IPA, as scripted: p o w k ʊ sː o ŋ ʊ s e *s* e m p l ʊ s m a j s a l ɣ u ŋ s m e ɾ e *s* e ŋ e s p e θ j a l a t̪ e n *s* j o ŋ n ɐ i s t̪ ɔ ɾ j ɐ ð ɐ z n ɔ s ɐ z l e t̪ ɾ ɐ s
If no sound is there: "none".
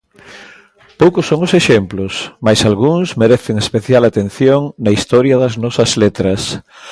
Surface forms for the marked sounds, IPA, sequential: ʃ, θ, θ

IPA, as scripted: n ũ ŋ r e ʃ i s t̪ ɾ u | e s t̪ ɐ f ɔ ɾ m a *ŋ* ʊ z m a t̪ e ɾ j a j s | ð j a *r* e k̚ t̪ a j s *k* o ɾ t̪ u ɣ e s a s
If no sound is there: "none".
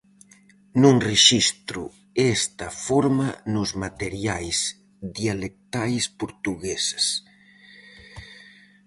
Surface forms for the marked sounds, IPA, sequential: n, l, p

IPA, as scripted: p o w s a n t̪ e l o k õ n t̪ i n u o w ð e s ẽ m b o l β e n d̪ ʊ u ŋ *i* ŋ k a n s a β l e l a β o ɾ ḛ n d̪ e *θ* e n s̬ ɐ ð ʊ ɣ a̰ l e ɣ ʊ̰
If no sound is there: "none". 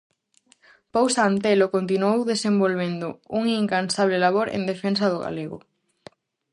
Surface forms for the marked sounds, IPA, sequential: i, f

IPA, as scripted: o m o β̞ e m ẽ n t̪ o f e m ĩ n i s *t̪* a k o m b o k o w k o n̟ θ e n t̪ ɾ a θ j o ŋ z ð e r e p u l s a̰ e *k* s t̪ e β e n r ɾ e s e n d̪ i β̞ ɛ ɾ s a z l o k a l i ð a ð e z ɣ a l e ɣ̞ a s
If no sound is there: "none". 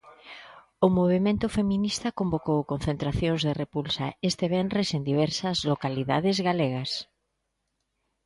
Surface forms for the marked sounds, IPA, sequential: t̪, none

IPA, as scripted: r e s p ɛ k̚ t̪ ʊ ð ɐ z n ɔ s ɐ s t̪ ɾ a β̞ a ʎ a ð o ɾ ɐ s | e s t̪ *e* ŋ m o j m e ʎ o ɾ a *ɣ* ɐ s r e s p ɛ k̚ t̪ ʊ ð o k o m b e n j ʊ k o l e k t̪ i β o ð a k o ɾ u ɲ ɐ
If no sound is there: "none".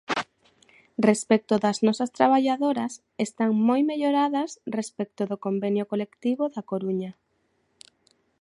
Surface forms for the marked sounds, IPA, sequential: a, ð

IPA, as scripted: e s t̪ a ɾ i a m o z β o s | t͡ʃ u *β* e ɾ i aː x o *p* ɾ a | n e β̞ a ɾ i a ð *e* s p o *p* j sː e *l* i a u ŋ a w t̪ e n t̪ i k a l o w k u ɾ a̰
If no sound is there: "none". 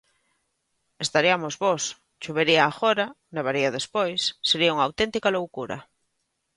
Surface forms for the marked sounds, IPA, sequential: β, none, e, none, ɾ

